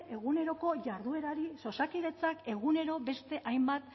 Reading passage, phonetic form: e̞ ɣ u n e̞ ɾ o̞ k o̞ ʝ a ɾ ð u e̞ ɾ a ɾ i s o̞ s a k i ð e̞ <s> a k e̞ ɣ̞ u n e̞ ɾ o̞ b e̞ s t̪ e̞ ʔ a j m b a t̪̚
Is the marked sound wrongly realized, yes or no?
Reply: yes